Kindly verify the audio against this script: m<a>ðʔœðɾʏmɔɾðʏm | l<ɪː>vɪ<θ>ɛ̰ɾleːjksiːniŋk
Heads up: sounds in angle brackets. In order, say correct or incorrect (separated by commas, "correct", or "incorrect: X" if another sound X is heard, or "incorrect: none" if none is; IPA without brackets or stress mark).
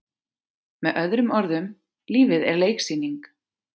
incorrect: ɛ, incorrect: iː, incorrect: ð